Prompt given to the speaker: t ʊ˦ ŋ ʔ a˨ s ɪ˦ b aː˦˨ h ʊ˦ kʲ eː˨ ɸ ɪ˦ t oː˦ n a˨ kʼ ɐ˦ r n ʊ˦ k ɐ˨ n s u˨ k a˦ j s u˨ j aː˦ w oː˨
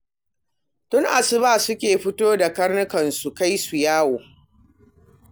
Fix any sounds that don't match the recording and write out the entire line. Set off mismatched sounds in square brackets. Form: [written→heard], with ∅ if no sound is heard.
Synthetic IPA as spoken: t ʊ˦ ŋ ʔ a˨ s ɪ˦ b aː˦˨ [h→s] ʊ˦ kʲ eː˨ ɸ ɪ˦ t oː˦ [n→d] a˨ [kʼ→k] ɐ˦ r n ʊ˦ k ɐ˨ n s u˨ k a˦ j s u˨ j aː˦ w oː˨

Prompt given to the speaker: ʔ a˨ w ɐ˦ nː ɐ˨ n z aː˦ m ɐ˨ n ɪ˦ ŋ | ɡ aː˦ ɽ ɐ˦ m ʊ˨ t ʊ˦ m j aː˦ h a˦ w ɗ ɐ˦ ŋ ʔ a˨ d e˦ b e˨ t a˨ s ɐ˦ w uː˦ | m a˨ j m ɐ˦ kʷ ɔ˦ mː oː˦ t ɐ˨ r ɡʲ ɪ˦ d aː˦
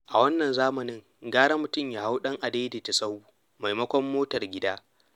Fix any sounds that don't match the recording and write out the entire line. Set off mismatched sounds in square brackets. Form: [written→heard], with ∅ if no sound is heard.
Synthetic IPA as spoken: ʔ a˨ w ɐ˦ nː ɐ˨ n z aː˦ m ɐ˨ n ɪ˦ ŋ | ɡ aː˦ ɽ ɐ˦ m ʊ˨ t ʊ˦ m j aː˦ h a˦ w ɗ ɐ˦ ŋ ʔ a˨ d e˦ [b→d] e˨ t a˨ s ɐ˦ w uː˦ | m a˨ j m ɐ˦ kʷ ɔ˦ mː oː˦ t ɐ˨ r ɡʲ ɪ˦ d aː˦

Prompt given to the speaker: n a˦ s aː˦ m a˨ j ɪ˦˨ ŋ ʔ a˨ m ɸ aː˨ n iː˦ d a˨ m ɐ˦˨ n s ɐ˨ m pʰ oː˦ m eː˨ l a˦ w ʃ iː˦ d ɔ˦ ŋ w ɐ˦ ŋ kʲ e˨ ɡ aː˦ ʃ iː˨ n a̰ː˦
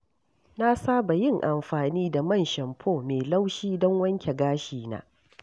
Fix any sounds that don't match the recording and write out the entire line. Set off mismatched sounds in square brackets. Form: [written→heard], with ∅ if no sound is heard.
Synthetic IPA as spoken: n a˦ s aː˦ [m→b] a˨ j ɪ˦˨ ŋ ʔ a˨ m ɸ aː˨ n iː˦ d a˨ m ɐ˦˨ n [s→ʃ] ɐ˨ m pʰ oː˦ m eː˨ l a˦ w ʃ iː˦ d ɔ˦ ŋ w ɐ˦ ŋ kʲ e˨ ɡ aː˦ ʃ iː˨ n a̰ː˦

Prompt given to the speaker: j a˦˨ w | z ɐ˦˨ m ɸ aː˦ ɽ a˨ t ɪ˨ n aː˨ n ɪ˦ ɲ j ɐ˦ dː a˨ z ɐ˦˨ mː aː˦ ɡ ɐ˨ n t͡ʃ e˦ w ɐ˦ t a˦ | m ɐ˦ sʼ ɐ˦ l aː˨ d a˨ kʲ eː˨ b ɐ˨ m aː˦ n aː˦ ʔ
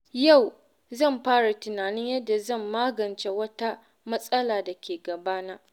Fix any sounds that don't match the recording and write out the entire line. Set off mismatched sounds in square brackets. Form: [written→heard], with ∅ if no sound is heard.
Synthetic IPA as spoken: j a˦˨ w | z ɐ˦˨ m ɸ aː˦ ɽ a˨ t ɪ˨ n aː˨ n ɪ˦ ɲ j ɐ˦ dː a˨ z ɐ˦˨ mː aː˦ ɡ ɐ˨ n t͡ʃ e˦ w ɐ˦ t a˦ | m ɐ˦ sʼ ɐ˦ l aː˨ d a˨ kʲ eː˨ [b→ɡ] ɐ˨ [m→b] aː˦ n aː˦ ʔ

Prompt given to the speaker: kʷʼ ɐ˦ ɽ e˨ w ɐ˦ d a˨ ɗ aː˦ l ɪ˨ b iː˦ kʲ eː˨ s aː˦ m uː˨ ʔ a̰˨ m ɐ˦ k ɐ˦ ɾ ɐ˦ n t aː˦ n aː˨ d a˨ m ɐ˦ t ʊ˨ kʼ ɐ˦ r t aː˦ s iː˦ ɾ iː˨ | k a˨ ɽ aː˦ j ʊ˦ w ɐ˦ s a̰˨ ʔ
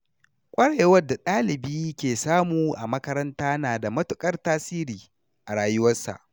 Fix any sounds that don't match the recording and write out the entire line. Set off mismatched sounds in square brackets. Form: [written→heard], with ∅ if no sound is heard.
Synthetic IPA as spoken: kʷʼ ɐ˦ ɽ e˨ w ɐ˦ d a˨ ɗ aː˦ l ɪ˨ b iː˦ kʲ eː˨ s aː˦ m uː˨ ʔ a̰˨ m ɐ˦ k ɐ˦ ɾ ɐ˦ n t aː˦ n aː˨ d a˨ m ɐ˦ t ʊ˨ kʼ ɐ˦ r t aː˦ s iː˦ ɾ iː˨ | [k→ʔ] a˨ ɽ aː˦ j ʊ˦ w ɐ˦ s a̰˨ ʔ

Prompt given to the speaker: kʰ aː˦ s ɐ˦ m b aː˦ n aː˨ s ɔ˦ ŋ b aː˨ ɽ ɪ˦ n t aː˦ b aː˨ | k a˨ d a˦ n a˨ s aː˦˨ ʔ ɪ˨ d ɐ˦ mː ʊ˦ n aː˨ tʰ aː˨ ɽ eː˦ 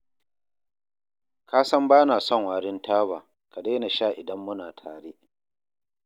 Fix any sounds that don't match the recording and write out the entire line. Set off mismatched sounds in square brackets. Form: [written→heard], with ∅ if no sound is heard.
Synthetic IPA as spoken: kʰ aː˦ s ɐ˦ m b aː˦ n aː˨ s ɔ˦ ŋ [b→w] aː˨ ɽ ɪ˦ n t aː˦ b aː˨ | k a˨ d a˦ n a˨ [s→ʃ] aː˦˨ ʔ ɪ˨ d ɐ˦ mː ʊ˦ n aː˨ tʰ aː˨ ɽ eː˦

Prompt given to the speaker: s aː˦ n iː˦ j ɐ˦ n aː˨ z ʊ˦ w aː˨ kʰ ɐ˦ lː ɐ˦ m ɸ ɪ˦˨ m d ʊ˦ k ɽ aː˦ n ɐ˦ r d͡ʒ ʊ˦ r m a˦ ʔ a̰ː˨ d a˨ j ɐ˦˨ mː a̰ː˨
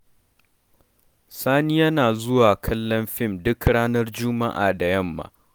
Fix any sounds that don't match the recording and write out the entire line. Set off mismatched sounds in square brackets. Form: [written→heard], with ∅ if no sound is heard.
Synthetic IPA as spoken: s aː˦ n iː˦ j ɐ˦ n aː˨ z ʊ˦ w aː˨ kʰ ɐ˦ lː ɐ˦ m ɸ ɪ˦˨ m d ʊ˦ k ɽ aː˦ n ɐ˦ r d͡ʒ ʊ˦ [r→∅] m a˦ ʔ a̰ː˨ d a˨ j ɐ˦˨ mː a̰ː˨

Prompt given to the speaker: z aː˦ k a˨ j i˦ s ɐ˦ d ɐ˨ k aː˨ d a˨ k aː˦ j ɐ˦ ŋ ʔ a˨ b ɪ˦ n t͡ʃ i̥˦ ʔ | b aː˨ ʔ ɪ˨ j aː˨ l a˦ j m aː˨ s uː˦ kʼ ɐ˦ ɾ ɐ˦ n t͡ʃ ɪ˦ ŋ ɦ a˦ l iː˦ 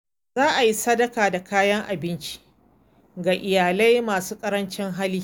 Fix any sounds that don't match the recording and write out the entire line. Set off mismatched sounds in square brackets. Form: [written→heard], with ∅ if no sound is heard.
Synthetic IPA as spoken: z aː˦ [k→ʔ] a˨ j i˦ s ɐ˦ d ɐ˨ k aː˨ d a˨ k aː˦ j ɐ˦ ŋ ʔ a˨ b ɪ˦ n t͡ʃ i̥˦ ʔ | [b→ɡ] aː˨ ʔ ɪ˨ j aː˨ l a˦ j m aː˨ s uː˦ kʼ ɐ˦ ɾ ɐ˦ n t͡ʃ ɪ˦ ŋ ɦ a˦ l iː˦

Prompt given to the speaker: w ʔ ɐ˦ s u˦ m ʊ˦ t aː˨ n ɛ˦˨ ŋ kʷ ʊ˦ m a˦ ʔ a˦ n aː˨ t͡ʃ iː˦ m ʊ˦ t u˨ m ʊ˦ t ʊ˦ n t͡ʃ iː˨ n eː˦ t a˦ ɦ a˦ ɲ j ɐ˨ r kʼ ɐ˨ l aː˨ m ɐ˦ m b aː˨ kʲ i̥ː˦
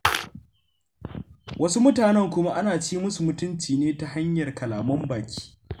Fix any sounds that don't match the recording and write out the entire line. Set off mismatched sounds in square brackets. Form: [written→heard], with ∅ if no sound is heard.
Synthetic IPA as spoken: w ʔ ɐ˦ s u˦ m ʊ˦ t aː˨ n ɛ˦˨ ŋ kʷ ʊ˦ m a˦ ʔ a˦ n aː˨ t͡ʃ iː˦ m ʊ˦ [t→s] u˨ m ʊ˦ t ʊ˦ n t͡ʃ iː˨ n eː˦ t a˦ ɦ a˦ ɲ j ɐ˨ r [kʼ→k] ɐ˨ l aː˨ m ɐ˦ m b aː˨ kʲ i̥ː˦

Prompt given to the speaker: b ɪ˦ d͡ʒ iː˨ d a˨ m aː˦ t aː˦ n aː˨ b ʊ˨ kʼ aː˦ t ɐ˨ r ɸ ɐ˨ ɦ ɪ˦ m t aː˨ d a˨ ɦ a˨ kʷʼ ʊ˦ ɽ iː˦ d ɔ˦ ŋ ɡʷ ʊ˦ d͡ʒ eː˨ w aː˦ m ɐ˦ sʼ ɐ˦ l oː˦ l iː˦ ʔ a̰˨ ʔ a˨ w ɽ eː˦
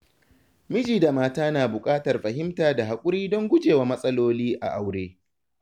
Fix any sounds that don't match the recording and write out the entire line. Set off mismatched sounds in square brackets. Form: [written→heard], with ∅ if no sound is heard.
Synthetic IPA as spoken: [b→m] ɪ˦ d͡ʒ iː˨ d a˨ m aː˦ t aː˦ n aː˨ b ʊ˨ kʼ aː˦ t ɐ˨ r ɸ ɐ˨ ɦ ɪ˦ m t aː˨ d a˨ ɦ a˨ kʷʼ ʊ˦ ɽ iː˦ d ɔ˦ ŋ ɡʷ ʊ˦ d͡ʒ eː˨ w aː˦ m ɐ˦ sʼ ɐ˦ l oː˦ l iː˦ ʔ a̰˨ ʔ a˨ w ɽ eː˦

